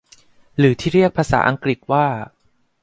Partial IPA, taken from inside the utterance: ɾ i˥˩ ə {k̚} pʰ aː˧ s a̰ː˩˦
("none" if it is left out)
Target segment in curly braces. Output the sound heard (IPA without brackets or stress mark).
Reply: k̚